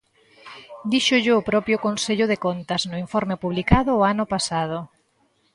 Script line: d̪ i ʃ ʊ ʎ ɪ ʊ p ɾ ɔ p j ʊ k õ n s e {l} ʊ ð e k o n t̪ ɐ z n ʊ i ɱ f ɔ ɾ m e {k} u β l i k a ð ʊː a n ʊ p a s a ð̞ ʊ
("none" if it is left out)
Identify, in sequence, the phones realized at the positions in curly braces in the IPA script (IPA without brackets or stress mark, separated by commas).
ʎ, p